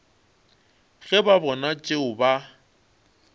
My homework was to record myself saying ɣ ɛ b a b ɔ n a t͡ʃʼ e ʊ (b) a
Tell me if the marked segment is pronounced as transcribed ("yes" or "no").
yes